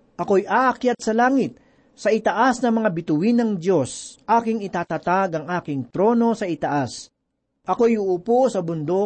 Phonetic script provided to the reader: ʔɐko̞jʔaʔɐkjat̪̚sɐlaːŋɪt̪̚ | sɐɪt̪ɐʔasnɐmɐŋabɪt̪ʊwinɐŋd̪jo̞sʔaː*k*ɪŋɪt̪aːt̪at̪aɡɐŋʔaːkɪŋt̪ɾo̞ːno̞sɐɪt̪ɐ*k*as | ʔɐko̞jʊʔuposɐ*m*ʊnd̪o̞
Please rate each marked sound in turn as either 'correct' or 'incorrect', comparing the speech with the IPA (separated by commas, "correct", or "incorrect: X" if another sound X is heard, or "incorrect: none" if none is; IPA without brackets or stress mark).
correct, incorrect: ʔ, incorrect: b